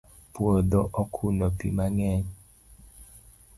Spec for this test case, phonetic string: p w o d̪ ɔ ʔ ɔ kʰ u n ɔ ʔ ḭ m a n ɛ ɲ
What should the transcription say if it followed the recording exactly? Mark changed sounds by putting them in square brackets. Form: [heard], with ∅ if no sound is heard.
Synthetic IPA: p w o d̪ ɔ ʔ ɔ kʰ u n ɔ [p] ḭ m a [ŋ] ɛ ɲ